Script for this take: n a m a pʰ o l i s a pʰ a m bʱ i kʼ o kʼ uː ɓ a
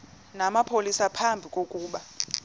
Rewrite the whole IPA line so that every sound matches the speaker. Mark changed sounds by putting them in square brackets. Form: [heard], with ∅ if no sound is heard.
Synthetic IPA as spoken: n a m a pʰ o l i s a pʰ a m bʱ i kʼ o kʼ uː ɓ a